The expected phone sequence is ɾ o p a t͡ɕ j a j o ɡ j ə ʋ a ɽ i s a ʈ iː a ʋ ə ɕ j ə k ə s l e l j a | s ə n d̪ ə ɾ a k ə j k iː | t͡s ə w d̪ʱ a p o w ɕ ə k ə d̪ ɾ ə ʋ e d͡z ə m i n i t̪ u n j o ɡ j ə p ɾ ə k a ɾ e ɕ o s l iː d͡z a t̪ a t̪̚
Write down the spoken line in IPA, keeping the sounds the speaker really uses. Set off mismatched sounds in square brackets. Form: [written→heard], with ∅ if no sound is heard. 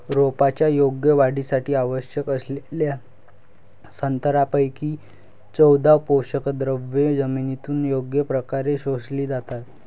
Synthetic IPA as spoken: ɾ o p a t͡ɕ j a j o ɡ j ə ʋ a ɽ i s a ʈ iː a ʋ ə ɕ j ə k ə s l e l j a | s ə n [d̪→t̪] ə ɾ a [k→p] ə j k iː | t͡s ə w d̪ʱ a p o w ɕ ə k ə d̪ ɾ ə ʋ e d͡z ə m i n i t̪ [u→uː] n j o ɡ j ə p ɾ ə k a ɾ e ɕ o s l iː d͡z a t̪ a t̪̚